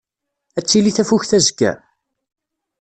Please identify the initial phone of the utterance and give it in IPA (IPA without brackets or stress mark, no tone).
æ